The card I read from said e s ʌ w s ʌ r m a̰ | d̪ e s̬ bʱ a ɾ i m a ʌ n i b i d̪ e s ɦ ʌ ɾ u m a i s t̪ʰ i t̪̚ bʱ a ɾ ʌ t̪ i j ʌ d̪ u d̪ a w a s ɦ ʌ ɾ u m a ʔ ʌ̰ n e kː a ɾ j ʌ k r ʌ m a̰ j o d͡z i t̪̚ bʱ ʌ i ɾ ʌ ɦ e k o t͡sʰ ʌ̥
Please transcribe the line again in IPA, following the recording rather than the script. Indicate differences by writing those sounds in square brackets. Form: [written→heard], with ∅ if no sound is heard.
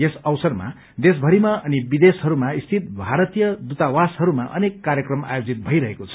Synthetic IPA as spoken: e s ʌ w s ʌ r m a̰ | d̪ e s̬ bʱ [a→ʌ] ɾ i m a ʌ n i b i d̪ e s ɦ ʌ ɾ u m a i s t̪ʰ i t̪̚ bʱ a ɾ ʌ t̪ i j ʌ d̪ u [d̪→t̪] a w a s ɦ ʌ ɾ u m a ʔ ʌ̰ n e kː a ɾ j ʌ k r ʌ m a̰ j o d͡z i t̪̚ bʱ ʌ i ɾ ʌ ɦ e k o t͡sʰ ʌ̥